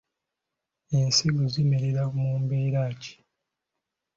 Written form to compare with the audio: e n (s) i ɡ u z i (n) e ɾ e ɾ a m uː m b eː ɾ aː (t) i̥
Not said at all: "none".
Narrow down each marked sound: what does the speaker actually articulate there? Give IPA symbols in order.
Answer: s, m, c

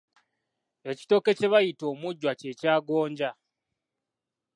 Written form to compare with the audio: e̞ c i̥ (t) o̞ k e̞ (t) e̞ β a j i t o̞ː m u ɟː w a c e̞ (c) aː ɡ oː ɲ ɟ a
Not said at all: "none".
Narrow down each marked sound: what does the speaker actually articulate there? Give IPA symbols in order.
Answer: t, c, c

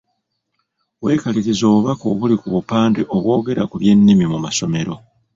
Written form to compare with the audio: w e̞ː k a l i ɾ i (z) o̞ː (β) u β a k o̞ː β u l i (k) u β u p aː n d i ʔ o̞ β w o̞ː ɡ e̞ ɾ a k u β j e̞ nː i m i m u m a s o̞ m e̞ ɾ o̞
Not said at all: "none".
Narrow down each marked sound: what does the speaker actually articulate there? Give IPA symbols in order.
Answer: z, β, k

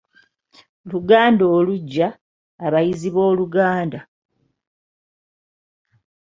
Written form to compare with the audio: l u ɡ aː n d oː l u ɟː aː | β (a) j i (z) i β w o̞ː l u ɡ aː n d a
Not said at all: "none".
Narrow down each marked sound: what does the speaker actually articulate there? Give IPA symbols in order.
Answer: a, z

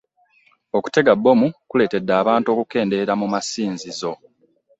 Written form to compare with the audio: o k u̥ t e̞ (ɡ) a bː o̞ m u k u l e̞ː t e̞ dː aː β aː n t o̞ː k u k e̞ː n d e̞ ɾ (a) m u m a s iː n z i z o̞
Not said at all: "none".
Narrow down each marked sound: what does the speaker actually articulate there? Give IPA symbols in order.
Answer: ɡ, a

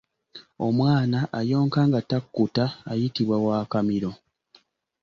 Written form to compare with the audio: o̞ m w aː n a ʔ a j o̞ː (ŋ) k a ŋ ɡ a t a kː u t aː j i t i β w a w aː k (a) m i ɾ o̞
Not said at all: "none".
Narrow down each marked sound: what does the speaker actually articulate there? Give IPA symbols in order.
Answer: ŋ, a

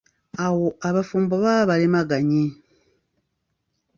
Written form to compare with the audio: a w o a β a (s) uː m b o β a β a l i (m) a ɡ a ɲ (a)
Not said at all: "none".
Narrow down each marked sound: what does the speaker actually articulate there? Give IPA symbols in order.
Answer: f, m, i

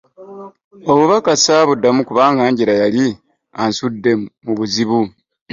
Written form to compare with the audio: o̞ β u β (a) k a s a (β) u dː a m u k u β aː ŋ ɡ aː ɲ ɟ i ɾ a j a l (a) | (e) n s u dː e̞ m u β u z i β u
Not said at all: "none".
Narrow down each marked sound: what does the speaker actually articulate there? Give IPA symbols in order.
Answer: a, β, i, a

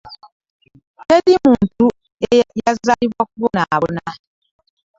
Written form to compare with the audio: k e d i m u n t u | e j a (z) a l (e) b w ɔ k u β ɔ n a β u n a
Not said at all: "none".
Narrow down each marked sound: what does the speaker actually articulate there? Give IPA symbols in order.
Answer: z, i

